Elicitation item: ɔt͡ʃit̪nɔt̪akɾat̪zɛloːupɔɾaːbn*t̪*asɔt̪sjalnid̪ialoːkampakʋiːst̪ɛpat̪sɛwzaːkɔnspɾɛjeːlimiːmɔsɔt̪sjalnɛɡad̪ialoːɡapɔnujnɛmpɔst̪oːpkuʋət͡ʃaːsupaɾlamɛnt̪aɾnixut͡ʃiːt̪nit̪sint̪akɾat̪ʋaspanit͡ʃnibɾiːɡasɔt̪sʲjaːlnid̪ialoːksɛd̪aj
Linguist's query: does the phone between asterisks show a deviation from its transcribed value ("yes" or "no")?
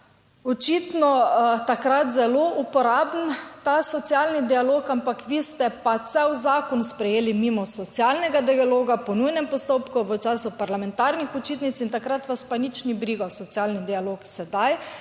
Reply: no